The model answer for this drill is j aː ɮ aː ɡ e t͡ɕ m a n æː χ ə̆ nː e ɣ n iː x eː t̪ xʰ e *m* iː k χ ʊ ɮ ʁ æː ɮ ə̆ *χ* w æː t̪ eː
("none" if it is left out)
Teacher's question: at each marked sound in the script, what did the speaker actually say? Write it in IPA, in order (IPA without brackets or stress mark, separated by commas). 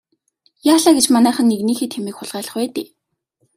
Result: m, χ